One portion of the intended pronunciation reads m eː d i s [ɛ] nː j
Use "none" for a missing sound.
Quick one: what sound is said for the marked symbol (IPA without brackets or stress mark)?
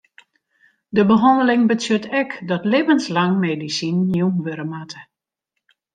i